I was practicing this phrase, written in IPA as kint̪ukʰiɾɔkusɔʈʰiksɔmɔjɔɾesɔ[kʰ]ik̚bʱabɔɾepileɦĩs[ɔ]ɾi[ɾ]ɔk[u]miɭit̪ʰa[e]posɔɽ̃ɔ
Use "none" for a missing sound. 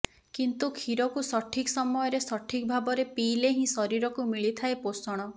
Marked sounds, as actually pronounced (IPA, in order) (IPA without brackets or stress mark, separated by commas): ʈʰ, ɔ, ɾ, u, e